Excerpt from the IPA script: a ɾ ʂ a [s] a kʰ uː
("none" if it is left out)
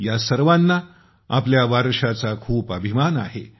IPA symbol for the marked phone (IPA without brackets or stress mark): t͡s